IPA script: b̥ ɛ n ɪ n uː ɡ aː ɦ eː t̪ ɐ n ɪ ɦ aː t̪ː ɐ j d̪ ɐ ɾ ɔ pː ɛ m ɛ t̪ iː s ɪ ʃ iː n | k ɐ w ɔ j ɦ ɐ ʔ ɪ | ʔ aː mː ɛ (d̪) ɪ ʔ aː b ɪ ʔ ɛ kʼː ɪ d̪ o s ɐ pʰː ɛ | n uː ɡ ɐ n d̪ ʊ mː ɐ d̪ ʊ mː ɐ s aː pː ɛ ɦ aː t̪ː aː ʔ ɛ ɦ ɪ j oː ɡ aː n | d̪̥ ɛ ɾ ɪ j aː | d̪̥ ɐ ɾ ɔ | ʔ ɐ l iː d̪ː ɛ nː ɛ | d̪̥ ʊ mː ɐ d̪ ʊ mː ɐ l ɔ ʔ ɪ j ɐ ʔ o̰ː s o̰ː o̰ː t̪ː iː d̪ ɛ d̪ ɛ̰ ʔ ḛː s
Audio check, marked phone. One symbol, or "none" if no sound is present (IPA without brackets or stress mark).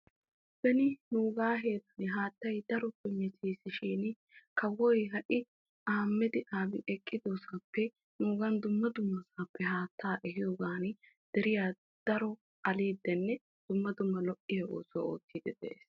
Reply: d̪